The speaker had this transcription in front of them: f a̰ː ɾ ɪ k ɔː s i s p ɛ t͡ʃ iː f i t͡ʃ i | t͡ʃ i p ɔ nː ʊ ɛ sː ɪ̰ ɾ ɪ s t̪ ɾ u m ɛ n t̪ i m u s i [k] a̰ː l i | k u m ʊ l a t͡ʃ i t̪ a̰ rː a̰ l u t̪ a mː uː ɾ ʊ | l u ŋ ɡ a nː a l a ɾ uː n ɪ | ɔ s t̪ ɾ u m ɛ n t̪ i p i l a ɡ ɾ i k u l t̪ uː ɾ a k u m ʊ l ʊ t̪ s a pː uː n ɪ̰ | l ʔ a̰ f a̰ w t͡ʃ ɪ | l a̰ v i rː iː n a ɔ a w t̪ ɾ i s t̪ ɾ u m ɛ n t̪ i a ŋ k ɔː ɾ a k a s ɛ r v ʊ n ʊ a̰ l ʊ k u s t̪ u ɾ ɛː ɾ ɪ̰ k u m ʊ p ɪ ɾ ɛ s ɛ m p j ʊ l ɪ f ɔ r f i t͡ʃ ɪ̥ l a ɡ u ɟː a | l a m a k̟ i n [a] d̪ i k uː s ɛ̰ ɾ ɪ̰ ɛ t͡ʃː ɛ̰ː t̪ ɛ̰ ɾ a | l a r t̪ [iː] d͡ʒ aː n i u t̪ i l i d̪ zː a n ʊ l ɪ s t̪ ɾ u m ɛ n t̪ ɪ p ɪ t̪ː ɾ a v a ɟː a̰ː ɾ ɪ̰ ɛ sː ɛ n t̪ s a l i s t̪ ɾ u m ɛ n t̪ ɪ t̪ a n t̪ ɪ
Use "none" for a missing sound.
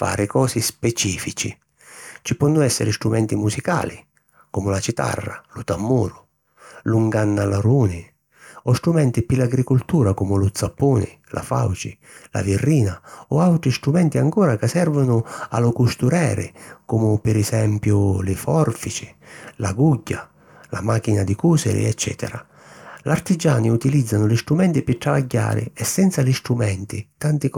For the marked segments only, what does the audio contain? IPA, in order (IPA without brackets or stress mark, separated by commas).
k, a, i